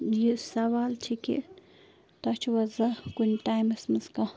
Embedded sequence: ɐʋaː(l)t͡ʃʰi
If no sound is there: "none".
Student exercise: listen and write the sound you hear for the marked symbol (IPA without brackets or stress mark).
l